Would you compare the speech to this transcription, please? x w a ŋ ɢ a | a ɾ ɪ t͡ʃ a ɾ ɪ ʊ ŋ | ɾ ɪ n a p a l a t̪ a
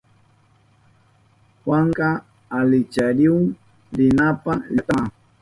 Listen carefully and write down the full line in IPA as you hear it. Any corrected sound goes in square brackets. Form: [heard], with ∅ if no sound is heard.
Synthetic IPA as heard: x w a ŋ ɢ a | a [l] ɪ t͡ʃ a ɾ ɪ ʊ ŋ | ɾ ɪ n a p a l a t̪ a